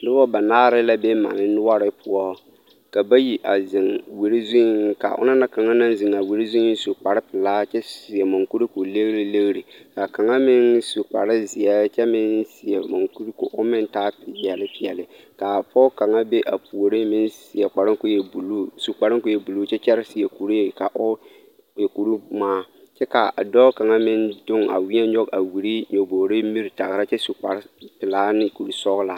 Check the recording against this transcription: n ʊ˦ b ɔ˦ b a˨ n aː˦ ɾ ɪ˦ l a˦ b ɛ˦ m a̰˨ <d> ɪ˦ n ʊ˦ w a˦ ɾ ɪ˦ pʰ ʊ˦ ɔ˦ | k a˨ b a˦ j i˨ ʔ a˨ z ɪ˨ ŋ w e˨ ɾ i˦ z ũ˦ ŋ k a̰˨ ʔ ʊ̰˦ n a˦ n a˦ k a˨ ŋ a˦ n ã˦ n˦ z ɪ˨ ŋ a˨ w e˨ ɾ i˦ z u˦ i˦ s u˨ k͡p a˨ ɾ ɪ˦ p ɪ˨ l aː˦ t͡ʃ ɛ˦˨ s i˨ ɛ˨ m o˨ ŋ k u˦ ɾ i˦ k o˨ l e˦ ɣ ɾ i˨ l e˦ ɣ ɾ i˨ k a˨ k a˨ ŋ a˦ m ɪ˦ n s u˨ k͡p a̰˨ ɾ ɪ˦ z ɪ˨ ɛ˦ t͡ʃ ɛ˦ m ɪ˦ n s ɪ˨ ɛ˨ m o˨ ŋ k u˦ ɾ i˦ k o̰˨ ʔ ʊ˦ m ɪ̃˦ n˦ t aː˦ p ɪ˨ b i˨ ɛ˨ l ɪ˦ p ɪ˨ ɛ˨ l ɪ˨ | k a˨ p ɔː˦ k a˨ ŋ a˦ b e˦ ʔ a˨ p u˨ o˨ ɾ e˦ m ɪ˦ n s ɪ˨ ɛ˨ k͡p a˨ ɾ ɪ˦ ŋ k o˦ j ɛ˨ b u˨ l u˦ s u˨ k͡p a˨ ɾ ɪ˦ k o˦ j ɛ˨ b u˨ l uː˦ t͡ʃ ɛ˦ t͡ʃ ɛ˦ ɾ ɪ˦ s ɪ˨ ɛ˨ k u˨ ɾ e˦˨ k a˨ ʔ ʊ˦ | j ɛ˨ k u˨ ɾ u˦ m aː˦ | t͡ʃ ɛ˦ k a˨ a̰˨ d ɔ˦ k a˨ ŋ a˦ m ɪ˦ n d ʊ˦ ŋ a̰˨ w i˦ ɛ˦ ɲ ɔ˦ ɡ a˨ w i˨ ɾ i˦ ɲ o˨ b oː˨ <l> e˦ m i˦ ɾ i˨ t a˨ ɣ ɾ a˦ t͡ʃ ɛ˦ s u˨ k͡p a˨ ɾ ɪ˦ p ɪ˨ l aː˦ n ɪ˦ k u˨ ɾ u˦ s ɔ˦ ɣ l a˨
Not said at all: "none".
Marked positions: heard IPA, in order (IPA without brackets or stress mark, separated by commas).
n, ɾ